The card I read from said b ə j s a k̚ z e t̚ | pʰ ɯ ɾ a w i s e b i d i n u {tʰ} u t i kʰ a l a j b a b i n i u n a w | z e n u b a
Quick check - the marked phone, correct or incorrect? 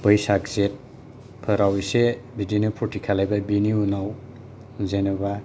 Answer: incorrect: pʰ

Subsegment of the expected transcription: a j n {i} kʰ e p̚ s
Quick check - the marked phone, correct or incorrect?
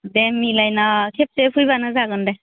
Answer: incorrect: a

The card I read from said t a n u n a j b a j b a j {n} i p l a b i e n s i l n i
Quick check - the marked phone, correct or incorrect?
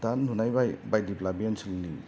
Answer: incorrect: d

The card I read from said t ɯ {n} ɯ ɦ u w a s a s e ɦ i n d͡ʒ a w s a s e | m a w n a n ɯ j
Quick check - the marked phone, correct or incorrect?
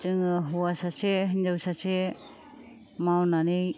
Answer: incorrect: ŋ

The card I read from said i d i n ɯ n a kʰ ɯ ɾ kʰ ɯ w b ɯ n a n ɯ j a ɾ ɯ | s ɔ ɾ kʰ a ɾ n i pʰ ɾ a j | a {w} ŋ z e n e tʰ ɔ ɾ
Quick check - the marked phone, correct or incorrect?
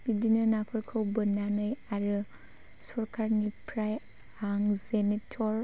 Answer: incorrect: none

